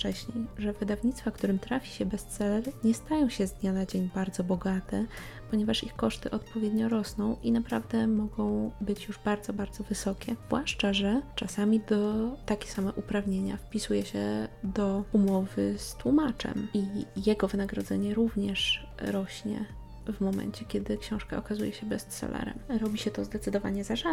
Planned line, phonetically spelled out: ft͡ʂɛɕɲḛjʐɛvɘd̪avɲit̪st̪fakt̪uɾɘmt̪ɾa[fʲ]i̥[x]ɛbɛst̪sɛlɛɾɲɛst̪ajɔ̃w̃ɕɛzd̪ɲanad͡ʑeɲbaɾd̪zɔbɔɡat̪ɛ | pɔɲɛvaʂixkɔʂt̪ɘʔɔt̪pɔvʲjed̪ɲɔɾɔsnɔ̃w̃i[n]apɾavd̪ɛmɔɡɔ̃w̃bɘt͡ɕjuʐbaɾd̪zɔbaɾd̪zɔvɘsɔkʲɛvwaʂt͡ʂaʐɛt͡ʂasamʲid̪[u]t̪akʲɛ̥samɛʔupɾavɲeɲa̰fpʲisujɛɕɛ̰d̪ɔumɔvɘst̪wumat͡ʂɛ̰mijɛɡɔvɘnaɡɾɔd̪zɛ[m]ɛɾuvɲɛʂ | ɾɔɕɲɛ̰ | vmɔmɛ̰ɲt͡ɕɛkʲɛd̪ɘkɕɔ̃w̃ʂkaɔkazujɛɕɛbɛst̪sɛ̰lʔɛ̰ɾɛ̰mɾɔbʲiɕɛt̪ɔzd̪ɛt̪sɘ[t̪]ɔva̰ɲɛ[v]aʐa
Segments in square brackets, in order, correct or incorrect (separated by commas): correct, incorrect, correct, incorrect, incorrect, incorrect, incorrect